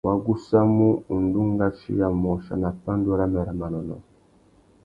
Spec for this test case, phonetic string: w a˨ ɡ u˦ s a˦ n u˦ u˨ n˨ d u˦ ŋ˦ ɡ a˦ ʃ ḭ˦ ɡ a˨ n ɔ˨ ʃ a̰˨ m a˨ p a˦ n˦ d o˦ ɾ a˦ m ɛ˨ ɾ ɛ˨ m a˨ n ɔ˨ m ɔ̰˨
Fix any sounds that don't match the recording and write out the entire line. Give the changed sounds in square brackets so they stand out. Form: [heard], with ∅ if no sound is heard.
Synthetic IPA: w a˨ ɡ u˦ s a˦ [m] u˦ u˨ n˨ d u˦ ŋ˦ ɡ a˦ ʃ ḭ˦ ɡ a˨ [m] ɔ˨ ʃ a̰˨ [n] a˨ p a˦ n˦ d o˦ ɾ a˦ m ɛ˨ ɾ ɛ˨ m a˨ n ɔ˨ [n] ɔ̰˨